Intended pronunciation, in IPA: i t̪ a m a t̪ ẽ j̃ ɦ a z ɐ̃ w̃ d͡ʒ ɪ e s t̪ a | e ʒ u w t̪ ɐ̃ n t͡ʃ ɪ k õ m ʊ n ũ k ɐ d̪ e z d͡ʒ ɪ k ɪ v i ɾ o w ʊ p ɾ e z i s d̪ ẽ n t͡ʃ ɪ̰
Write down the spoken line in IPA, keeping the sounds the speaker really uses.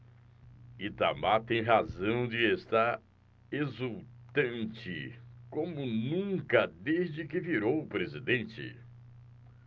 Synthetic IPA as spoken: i t̪ a m a t̪ ẽ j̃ ɦ a z ɐ̃ w̃ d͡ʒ ɪ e s t̪ a | e z u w t̪ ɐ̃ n t͡ʃ ɪ k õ m ʊ n ũ k ɐ d̪ e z d͡ʒ ɪ k ɪ v i ɾ o w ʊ p ɾ e z i d̪ ẽ n t͡ʃ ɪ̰

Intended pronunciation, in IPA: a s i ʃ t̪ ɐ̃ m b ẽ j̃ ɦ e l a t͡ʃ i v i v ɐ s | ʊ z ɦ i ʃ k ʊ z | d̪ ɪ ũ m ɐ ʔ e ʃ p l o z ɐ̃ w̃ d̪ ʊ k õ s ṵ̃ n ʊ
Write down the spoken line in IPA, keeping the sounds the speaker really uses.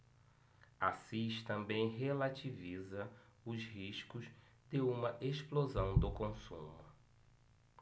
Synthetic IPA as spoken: a s i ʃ t̪ ɐ̃ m b ẽ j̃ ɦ e l a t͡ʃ i v i z ɐ | ʊ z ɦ i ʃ k ʊ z | d̪ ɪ ũ m ɐ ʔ e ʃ p l o z ɐ̃ w̃ d̪ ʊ k õ s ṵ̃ m ʊ

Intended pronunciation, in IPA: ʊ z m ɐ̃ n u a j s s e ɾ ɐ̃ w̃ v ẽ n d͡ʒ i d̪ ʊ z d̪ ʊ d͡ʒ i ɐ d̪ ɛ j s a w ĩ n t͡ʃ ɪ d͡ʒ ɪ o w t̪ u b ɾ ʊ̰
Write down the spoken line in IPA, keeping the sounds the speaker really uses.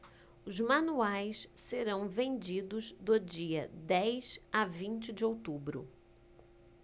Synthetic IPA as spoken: ʊ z m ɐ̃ n u a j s s e ɾ ɐ̃ w̃ v ẽ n d͡ʒ i d̪ ʊ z d̪ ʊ d͡ʒ i ɐ d̪ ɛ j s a v ĩ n t͡ʃ ɪ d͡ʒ ɪ o w t̪ u b ɾ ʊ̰

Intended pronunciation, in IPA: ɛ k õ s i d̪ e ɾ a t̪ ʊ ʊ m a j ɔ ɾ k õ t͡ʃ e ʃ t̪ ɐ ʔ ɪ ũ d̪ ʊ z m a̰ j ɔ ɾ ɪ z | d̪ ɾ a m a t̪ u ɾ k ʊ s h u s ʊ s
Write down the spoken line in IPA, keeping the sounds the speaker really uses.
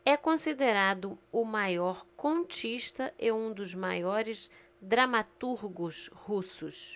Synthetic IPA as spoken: ɛ k õ s i d̪ e ɾ a d̪ ʊ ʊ m a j ɔ ɾ k õ t͡ʃ i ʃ t̪ ɐ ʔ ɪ ũ d̪ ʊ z m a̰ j ɔ ɾ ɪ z | d̪ ɾ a m a t̪ u ɾ ɡ ʊ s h u s ʊ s

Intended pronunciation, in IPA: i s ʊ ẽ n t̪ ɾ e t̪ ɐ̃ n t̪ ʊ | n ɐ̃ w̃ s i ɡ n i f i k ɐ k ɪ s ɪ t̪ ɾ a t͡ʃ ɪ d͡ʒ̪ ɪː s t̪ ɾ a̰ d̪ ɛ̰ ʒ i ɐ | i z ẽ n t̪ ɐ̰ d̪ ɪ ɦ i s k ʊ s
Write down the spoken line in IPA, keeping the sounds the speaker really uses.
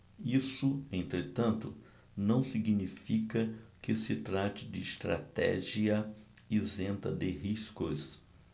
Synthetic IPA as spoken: i s ʊ ẽ n t̪ ɾ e t̪ ɐ̃ n t̪ ʊ | n ɐ̃ w̃ s i ɡ n i f i k ɐ k ɪ s ɪ t̪ ɾ a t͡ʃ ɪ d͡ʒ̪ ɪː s t̪ ɾ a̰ t̪ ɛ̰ ʒ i ɐ | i z ẽ n t̪ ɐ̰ d̪ ɪ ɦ i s k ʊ s

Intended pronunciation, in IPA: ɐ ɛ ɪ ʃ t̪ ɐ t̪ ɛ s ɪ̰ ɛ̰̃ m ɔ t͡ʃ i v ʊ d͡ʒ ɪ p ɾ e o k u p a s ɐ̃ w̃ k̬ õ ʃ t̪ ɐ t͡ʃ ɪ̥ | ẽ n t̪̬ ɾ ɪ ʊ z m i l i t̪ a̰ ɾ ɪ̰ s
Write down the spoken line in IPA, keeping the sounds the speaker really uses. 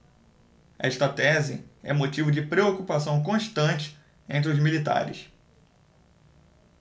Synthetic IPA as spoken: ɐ ɛ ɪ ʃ t̪ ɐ t̪ ɛ z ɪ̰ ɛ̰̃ m o t͡ʃ i v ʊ d͡ʒ ɪ p ɾ e o k u p a s ɐ̃ w̃ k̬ õ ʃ t̪ ɐ̃ t͡ʃ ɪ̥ | ẽ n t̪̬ ɾ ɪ ʊ z m i l i t̪ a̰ ɾ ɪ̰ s

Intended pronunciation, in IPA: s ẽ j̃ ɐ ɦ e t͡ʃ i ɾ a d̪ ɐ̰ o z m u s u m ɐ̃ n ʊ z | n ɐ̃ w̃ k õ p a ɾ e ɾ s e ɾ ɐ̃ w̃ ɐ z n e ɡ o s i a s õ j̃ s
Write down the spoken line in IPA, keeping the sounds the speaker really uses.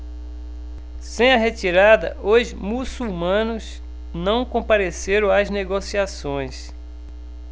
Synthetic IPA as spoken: s ẽ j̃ ɐ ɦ e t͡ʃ i ɾ a d̪ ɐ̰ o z m u s u m ɐ̃ n ʊ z | n ɐ̃ w̃ k õ p a ɾ e s e ɾ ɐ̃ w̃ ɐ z n e ɡ o s i a s õ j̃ s

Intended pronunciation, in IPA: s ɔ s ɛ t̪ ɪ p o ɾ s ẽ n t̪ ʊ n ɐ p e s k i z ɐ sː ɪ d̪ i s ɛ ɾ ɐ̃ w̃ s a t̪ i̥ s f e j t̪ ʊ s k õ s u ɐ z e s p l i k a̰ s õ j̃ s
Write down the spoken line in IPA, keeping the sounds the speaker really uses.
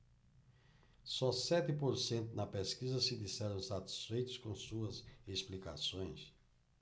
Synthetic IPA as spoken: s ɔ s ɛ t̪ ɪ p o ɾ s ẽ n t̪ ʊ n ɐ p e s k i z ɐ s ɪ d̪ i s ɛ ɾ ɐ̃ w̃ s a t̪ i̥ s f e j t̪ ʊ s k õ s u ɐ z e s p l i k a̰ s õ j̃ s

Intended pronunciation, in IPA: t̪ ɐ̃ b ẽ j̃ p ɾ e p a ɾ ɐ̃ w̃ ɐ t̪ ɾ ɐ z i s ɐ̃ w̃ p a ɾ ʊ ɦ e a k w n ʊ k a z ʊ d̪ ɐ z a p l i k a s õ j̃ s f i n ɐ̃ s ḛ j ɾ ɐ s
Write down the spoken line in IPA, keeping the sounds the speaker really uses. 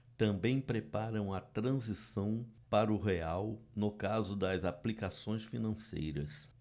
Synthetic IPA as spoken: t̪ ɐ̃ b ẽ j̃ p ɾ e p a ɾ ɐ̃ w̃ ɐ t̪ ɾ ɐ̃ z i s ɐ̃ w̃ p a ɾ ʊ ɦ e a w n ʊ k a z ʊ d̪ ɐ z a p l i k a s õ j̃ s f i n ɐ̃ s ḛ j ɾ ɐ s

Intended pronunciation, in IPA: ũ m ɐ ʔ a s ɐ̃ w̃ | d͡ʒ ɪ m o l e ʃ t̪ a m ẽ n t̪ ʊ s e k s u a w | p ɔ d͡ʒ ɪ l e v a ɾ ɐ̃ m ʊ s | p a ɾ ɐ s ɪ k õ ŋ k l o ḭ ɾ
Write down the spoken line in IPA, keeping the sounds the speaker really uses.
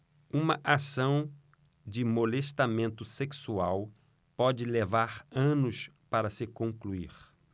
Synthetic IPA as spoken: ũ m ɐ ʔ a s ɐ̃ w̃ | d͡ʒ ɪ m o l e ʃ t̪ a m ẽ n t̪ ʊ s e k s u a w | p ɔ d͡ʒ ɪ l e v a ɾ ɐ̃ n ʊ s | p a ɾ ɐ s ɪ k õ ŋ k l u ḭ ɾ

